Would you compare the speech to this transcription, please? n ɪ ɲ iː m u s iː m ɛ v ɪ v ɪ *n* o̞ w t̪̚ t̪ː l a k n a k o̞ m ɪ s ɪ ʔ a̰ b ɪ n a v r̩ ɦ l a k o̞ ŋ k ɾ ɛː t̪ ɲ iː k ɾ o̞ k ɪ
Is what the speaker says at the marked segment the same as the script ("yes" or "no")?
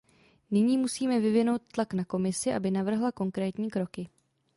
yes